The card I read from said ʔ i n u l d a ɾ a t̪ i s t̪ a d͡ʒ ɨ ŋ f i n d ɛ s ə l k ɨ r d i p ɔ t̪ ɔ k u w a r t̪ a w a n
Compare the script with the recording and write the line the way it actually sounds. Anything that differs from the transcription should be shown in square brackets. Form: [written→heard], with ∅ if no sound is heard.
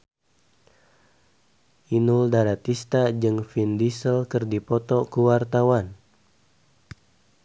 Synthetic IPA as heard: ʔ i n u l d a ɾ a t̪ i s t̪ a d͡ʒ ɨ ŋ f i n d [ɛ→i] s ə l k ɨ r d i p ɔ t̪ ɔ k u w a r t̪ a w a n